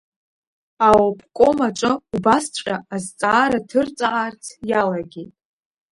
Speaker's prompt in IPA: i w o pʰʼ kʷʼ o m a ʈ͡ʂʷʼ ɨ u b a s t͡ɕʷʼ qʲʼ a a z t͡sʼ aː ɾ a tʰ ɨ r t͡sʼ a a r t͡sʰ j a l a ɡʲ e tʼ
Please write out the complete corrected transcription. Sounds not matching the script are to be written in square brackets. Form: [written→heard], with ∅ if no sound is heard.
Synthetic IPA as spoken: [i→a] w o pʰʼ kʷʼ o m a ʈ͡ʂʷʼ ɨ u b a s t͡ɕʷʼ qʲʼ a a z t͡sʼ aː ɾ a tʰ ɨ r t͡sʼ a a r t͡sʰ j a l a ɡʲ e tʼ